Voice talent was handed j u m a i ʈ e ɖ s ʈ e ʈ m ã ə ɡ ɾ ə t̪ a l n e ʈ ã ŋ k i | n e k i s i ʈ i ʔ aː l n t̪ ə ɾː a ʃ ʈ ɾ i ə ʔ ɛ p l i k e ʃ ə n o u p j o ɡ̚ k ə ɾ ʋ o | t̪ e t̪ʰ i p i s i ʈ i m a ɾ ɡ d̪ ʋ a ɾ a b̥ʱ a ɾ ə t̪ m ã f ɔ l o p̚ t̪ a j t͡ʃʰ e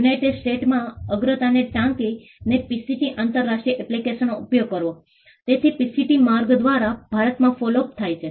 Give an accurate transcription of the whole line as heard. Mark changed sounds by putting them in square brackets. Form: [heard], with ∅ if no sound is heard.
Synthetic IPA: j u [n] a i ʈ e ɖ s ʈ e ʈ m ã ə ɡ ɾ ə t̪ a [∅] n e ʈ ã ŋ k i | n e [p] i s i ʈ i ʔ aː [∅] n t̪ ə ɾː a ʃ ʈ ɾ i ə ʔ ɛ p l i k e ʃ ə n o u p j o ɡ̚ k ə ɾ ʋ o | t̪ e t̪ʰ i p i s i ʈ i m a ɾ ɡ d̪ ʋ a ɾ a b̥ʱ a ɾ ə t̪ m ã f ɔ l o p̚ [t̪ʰ] a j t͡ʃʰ e